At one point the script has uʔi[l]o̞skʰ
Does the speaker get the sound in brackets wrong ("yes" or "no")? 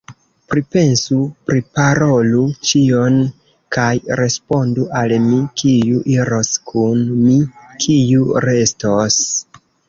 yes